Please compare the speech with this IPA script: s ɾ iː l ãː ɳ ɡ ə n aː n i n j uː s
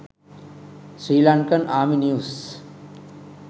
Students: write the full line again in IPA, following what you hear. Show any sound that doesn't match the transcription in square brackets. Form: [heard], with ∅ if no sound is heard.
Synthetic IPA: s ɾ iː l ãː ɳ [k] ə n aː [m] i n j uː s